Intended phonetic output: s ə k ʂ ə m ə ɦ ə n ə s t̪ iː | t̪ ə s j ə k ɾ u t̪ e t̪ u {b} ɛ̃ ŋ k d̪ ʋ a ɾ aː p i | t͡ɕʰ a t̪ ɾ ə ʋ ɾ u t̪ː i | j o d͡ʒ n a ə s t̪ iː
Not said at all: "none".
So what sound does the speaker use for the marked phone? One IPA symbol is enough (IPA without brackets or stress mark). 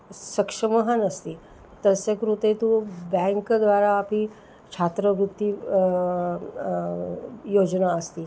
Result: b